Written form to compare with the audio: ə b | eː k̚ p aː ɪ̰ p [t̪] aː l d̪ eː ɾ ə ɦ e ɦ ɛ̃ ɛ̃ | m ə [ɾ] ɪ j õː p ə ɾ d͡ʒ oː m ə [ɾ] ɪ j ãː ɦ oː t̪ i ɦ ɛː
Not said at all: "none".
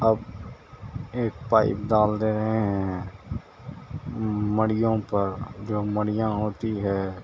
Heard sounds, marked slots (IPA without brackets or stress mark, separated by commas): d̪, ɽ, ɽ